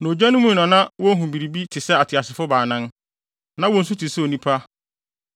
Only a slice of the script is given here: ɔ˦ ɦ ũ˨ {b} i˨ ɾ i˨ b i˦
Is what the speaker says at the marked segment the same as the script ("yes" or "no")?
yes